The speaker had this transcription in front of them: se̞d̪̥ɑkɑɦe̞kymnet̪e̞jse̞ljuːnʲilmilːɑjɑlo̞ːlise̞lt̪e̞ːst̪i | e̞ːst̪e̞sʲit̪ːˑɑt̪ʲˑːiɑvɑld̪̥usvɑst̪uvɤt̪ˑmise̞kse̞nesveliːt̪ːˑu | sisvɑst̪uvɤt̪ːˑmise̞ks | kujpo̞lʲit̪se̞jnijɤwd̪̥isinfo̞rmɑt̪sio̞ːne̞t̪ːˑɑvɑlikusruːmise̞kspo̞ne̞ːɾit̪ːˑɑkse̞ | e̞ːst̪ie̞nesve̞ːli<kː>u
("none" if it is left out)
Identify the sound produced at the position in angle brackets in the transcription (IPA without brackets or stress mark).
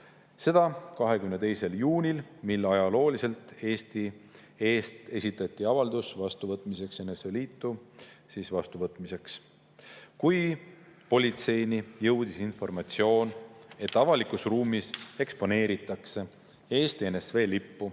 pː